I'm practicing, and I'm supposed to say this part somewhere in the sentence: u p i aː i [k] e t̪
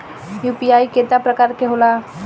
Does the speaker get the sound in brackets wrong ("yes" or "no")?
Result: no